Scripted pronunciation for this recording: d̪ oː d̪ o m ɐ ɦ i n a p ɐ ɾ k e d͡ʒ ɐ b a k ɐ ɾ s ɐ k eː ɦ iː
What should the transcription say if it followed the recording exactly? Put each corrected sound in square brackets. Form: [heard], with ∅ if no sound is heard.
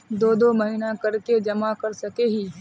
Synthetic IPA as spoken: d̪ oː d̪ o m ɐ ɦ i n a [k] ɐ ɾ k e d͡ʒ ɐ [m] a k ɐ ɾ s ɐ k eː ɦ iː